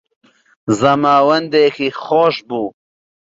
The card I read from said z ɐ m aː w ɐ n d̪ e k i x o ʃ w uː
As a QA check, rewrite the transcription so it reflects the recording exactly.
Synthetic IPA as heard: z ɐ m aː w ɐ n d̪ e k i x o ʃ b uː

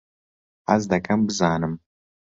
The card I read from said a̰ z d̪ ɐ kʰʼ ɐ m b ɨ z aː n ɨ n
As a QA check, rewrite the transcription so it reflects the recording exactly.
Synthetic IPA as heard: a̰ z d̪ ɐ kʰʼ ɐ m b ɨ z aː n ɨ m

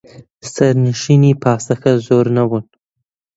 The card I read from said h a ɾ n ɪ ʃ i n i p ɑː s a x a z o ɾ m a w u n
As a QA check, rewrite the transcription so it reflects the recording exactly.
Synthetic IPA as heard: s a ɾ n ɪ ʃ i n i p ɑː s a x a z o ɾ n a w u n

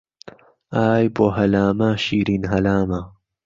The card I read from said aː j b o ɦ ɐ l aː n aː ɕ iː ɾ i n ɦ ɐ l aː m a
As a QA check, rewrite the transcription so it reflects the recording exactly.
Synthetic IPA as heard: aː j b o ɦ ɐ l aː m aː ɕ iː ɾ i n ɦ ɐ l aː m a

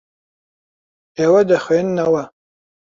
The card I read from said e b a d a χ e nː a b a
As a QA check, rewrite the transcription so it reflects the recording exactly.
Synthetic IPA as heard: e w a d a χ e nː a w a

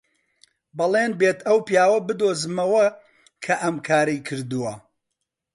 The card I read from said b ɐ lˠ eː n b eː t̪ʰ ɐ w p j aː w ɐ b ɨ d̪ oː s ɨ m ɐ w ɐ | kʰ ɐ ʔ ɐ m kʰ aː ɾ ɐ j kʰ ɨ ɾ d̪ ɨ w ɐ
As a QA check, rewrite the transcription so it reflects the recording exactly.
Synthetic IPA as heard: b ɐ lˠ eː n b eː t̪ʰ ɐ w p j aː w ɐ b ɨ d̪ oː z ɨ m ɐ w ɐ | kʰ ɐ ʔ ɐ m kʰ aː ɾ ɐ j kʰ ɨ ɾ d̪ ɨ w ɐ

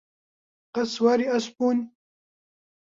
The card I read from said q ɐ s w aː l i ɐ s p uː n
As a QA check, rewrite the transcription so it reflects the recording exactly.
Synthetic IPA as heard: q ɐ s w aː ɾ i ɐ s p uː n

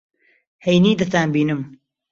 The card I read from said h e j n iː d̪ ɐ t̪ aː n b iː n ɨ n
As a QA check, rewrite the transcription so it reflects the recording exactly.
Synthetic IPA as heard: h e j n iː d̪ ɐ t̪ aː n b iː n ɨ m

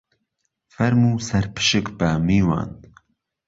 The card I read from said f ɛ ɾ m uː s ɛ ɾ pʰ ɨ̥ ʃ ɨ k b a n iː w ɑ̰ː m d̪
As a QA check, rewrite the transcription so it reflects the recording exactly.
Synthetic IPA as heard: f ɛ ɾ m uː s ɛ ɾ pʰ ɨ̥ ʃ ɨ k b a m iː w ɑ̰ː n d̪

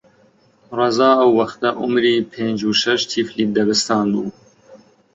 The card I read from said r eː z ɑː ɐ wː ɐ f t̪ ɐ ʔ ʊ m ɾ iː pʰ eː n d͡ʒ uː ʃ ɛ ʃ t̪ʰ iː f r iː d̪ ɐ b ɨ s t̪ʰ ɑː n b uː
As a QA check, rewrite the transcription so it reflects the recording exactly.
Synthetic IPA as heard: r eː z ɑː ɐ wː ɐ x t̪ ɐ ʔ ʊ m ɾ iː pʰ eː n d͡ʒ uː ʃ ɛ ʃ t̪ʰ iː f l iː d̪ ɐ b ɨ s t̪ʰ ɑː n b uː

